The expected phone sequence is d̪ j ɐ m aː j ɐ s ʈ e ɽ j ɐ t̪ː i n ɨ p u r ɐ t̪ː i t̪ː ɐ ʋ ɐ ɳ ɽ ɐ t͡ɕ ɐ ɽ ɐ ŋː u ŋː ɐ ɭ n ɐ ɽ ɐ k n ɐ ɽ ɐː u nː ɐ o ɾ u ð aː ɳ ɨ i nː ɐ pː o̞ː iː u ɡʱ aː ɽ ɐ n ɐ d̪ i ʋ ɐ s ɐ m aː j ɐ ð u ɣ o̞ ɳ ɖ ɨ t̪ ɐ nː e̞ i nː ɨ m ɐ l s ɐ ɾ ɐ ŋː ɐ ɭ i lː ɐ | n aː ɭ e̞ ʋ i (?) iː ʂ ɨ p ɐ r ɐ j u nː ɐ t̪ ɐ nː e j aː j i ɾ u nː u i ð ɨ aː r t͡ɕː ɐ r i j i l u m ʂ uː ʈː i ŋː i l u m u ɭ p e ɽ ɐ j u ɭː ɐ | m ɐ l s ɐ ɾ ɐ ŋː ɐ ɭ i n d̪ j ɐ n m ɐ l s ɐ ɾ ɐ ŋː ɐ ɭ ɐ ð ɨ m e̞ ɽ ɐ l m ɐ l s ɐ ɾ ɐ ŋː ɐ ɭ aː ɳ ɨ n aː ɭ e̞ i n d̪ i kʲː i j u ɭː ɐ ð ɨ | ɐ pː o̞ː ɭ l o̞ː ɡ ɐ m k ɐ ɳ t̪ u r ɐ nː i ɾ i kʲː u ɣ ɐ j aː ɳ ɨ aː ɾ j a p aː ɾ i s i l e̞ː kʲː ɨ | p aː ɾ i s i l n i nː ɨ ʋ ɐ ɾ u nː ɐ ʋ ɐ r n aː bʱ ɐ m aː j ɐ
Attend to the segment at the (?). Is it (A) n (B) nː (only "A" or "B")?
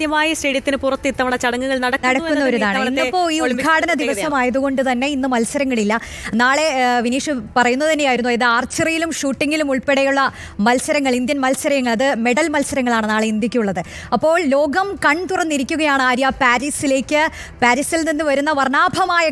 A